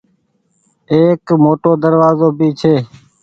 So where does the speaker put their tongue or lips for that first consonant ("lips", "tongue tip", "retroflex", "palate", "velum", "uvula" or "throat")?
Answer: velum